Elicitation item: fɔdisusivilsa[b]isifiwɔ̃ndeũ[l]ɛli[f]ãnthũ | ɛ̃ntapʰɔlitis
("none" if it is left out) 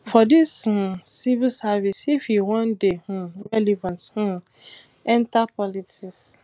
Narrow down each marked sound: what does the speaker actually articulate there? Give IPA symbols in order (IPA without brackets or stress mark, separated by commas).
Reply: v, ɹ, v